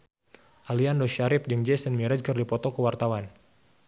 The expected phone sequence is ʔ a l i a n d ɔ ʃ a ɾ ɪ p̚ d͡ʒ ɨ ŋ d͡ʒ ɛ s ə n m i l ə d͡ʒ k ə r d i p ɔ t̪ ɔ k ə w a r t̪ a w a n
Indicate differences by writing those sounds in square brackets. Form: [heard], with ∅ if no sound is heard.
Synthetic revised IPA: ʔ a l i a n d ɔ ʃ a ɾ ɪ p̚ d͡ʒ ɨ ŋ d͡ʒ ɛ s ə n m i [ɾ] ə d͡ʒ k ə r d i p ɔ t̪ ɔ k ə w a r t̪ a w a n